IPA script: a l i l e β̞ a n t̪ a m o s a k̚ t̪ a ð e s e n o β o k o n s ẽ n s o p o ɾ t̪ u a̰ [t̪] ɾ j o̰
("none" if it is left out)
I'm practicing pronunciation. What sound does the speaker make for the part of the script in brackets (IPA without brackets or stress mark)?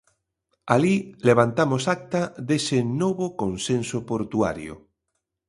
none